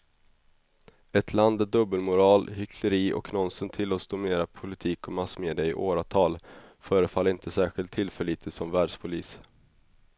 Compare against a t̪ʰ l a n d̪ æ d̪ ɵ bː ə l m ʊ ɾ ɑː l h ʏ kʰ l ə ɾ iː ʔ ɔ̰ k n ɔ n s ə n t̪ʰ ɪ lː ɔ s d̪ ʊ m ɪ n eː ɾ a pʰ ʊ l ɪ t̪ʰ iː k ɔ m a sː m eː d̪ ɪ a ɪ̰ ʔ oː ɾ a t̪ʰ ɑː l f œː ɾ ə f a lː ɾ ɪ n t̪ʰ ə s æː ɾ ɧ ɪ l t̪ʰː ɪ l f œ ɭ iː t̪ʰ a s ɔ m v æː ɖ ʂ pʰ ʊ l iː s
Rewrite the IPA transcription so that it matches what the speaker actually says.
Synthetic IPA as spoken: ɛ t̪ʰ l a n d̪ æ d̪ ɵ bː ə l m ʊ ɾ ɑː l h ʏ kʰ l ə ɾ iː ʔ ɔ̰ k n ɔ n s ə n t̪ʰ ɪ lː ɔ s d̪ ʊ m ɪ n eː ɾ a pʰ ʊ l ɪ t̪ʰ iː k ɔ m a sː m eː d̪ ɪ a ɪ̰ ʔ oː ɾ a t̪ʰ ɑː l f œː ɾ ə f a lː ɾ ɪ n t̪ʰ ə s æː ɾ ɧ ɪ l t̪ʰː ɪ l f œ ɭ iː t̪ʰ ə s ɔ m v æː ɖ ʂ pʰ ʊ l iː s